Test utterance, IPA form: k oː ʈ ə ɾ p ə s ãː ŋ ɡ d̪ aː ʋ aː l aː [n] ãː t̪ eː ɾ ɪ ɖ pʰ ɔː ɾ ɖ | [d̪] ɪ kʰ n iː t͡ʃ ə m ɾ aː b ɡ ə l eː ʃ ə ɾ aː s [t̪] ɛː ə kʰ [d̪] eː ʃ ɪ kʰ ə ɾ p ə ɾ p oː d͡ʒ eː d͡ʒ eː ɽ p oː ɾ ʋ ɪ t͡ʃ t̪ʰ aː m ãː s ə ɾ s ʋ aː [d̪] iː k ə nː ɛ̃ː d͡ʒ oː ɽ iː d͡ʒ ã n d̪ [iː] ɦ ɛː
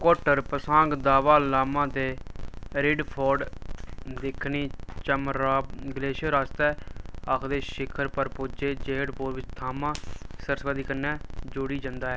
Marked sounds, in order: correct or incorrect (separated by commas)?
incorrect, correct, correct, correct, correct, incorrect